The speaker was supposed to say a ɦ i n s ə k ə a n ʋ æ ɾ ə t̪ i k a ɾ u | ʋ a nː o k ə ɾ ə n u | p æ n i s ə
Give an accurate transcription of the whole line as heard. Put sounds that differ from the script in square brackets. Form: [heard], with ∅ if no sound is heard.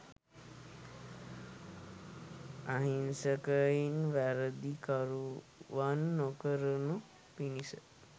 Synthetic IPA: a ɦ i n s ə k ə [i] n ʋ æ ɾ ə [d̪] i k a ɾ u | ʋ a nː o k ə ɾ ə n u | p [i] n i s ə